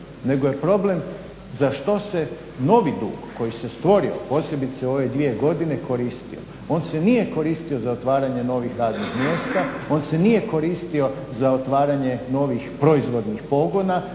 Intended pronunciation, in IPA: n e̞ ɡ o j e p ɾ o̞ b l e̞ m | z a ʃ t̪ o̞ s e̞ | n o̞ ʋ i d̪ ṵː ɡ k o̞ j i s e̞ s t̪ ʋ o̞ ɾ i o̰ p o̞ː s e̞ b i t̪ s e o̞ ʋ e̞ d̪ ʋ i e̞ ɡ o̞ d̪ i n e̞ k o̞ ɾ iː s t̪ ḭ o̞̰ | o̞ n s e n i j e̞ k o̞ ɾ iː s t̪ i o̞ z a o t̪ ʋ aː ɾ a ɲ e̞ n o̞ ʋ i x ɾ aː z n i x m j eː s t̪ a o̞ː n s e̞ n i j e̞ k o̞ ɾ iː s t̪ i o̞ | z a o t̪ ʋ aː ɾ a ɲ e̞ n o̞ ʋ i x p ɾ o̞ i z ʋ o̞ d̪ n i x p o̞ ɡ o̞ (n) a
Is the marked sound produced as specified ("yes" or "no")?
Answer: yes